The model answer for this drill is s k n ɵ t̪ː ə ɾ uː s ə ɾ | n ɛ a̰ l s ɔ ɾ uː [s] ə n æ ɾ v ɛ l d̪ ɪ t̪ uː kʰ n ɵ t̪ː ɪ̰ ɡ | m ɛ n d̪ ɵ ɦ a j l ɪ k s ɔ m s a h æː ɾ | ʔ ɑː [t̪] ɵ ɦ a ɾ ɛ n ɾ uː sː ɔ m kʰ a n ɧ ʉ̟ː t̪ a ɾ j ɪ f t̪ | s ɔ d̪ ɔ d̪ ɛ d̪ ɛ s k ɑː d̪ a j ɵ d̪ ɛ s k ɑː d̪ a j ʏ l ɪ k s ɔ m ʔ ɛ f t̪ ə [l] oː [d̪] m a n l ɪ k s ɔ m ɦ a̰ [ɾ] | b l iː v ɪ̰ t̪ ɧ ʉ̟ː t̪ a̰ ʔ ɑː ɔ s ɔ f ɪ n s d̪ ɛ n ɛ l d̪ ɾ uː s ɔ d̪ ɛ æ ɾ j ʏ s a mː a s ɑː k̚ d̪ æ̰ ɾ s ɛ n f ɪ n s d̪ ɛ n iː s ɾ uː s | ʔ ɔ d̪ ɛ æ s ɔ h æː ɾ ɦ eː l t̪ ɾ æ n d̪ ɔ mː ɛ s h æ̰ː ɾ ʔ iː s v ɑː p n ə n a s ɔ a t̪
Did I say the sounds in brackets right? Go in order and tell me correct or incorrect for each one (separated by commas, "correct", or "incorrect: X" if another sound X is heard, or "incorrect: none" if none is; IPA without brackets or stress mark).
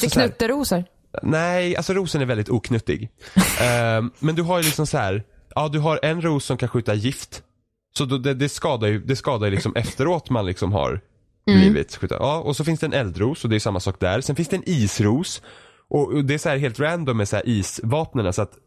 correct, incorrect: d̪, incorrect: ɾ, incorrect: t̪, correct